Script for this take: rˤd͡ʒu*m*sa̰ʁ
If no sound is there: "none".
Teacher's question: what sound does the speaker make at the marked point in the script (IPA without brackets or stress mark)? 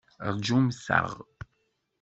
m